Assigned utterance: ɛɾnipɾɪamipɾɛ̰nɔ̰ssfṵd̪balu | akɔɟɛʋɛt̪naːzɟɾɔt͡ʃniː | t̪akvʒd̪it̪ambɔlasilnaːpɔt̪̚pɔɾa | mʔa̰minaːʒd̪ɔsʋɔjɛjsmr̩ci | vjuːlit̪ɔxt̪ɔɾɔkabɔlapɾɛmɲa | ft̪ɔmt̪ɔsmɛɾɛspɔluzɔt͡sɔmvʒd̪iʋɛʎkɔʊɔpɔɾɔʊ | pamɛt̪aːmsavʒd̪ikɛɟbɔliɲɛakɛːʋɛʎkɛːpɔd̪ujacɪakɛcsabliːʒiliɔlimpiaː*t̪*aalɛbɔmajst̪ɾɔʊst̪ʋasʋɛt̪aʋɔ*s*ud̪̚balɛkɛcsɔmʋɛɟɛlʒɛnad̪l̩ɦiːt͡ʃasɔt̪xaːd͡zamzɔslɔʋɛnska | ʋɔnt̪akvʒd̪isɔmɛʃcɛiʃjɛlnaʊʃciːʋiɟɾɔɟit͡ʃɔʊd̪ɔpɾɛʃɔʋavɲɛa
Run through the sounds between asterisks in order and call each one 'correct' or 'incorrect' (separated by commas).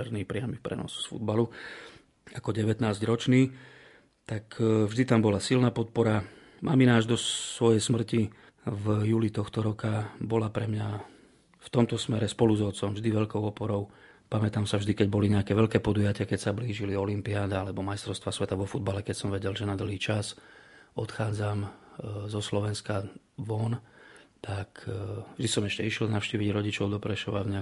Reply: incorrect, incorrect